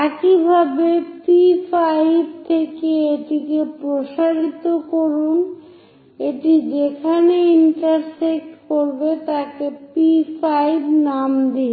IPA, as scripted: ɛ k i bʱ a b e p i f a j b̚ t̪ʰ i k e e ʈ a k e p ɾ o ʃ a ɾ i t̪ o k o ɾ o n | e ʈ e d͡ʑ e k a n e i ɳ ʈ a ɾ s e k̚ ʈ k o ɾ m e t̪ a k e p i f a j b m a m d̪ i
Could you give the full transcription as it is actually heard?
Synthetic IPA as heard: ɛ k i bʱ a b e p i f a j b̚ t̪ʰ e k e e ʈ i k e p ɾ o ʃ a ɾ i t̪ o k o ɾ u n | e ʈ i d͡ʑ e kʰ a n e i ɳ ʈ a ɾ s e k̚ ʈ k o ɾ b e t̪ a k e p i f a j b n a m d̪ i